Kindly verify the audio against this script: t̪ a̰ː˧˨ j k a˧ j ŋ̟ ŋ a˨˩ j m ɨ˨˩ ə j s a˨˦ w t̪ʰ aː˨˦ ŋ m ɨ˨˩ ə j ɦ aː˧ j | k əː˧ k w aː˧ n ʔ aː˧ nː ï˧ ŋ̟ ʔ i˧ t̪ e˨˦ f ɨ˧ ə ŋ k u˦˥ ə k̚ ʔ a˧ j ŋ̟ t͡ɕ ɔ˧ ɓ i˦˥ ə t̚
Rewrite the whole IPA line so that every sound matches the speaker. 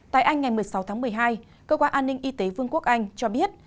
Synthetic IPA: t̪ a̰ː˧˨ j ʔ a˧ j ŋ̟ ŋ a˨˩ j m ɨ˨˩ ə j s a˨˦ w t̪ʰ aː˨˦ ŋ m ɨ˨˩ ə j ɦ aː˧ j | k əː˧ k w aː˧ n ʔ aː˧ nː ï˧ ŋ̟ ʔ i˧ t̪ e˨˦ v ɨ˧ ə ŋ k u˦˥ ə k̚ ʔ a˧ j ŋ̟ t͡ɕ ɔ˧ ɓ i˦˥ ə t̚